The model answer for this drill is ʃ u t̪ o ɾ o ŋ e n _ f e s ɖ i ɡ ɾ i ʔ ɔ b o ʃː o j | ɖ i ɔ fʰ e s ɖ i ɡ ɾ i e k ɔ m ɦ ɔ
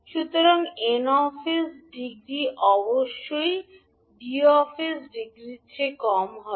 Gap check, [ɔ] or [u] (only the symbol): ɔ